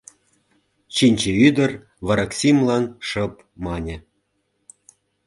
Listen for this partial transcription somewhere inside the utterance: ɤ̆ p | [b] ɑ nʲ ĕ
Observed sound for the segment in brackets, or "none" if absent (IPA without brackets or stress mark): m